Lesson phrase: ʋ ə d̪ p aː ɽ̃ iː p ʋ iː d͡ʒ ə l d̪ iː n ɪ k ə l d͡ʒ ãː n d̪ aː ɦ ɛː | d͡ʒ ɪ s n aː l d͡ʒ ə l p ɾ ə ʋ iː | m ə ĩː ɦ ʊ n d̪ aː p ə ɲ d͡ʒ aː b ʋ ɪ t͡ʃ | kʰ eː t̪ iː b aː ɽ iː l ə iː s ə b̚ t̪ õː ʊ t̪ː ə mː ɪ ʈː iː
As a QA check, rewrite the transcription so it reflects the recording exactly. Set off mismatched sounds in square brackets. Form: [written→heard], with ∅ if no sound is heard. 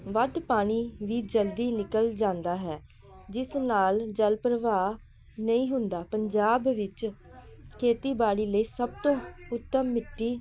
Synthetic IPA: ʋ ə d̪ p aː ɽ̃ iː [p→∅] ʋ iː d͡ʒ ə l d̪ iː n ɪ k ə l d͡ʒ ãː n d̪ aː ɦ ɛː | d͡ʒ ɪ s n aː l d͡ʒ ə l p ɾ ə ʋ [iː→aː] | [m→n] ə ĩː ɦ ʊ n d̪ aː p ə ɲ d͡ʒ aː b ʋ ɪ t͡ʃ | kʰ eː t̪ iː b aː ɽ iː l ə iː s ə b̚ t̪ õː ʊ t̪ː ə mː ɪ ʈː iː